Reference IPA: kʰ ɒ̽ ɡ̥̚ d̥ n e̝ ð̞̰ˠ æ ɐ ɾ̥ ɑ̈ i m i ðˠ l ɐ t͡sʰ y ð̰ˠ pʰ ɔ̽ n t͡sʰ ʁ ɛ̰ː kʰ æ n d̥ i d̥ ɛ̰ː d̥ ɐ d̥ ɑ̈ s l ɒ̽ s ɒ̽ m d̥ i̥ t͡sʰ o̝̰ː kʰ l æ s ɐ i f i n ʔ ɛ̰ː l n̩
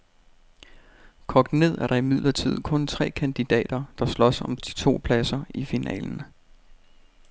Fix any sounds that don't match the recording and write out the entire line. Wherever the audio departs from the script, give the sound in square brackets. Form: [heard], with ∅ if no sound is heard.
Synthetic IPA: kʰ ɒ̽ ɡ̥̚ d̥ n e̝ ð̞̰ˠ æ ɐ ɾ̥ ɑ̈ i m i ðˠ l ɐ t͡sʰ [i] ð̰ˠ [kʰ] ɔ̽ n t͡sʰ ʁ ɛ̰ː kʰ æ n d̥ i d̥ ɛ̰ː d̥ ɐ d̥ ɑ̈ s l ɒ̽ s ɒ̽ m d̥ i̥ t͡sʰ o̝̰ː [pʰ] l æ s ɐ i f i n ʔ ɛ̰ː l n̩